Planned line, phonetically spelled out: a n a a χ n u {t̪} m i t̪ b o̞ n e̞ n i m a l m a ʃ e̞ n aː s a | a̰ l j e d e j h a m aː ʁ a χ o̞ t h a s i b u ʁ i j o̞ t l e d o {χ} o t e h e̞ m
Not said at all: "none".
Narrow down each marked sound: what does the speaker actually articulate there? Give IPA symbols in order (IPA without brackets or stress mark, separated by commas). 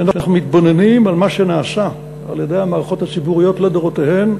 none, ʁ